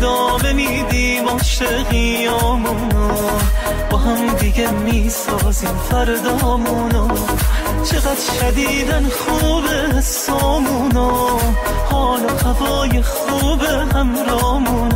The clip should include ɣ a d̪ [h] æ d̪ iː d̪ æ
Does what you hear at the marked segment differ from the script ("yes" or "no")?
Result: yes